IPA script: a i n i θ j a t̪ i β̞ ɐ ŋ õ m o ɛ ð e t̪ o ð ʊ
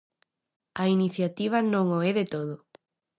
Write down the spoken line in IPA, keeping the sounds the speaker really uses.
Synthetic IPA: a i n i θ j a t̪ i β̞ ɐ n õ ŋ o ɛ ð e t̪ o ð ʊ